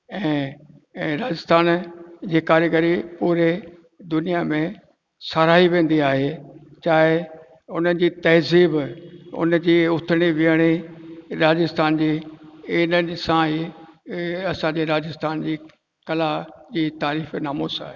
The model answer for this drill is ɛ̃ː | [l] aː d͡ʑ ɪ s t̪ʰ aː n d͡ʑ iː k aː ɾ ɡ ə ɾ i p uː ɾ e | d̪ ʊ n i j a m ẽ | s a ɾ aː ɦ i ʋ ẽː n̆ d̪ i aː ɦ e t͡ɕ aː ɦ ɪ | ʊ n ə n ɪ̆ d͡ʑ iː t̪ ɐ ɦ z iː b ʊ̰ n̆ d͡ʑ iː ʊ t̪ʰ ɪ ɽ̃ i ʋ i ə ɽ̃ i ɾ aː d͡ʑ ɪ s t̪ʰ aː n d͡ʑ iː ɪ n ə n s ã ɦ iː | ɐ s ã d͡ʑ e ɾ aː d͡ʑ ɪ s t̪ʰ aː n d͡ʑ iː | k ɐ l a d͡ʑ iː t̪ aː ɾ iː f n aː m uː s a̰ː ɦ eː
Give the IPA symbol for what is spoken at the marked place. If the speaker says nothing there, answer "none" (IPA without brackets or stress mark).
ɾ